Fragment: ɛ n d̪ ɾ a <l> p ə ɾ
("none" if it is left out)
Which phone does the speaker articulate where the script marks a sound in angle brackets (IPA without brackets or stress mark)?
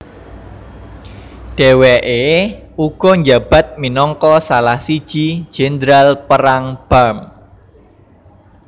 l